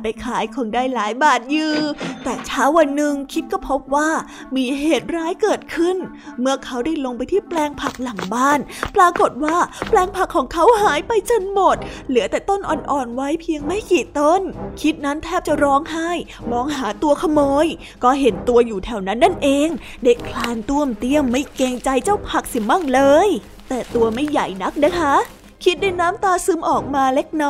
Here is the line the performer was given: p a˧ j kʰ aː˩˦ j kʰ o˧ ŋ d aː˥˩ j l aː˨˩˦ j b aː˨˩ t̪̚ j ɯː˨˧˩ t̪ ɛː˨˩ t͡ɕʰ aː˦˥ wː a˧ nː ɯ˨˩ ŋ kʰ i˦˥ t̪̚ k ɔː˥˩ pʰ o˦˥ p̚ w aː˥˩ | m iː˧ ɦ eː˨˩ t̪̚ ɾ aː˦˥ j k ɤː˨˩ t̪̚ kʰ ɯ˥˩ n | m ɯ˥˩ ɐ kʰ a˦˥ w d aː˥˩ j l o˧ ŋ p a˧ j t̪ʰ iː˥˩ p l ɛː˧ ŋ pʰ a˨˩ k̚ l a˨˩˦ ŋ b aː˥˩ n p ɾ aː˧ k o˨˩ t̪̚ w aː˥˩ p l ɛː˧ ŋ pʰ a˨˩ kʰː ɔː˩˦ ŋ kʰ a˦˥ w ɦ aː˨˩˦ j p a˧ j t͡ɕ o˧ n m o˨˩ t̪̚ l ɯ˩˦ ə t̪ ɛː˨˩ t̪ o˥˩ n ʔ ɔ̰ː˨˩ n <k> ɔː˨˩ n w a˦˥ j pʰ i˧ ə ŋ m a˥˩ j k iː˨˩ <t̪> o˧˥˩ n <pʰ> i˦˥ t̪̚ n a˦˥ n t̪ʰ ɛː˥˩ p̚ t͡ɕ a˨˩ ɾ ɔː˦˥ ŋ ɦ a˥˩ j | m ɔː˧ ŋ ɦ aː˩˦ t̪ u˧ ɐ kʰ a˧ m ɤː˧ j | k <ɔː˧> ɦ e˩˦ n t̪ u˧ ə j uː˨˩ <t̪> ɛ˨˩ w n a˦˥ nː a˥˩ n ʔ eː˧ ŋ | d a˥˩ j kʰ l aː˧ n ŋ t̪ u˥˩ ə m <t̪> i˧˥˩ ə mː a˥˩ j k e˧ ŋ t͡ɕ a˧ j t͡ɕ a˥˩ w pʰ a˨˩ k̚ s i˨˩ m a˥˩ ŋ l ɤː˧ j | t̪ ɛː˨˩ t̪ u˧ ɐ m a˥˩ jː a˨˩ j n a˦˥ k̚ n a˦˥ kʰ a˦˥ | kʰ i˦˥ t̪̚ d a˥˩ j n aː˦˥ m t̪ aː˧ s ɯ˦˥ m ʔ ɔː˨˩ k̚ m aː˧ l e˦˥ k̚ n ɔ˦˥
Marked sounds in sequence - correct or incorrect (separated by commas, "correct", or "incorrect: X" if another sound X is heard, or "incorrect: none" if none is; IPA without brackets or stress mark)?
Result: incorrect: ʔ, correct, incorrect: kʰ, incorrect: ɔː˥˩, incorrect: t̪ʰ, correct